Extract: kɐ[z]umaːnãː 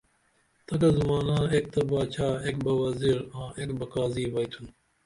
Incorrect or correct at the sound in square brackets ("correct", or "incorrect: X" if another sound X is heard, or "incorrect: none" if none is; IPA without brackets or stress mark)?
correct